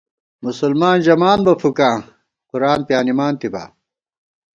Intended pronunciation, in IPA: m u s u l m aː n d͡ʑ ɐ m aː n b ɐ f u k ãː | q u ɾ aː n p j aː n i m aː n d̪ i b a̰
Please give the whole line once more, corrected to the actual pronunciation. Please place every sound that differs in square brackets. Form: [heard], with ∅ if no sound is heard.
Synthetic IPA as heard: m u s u l m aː n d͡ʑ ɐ m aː n b ɐ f u k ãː | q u ɾ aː n p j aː n i m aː n [t̪] i b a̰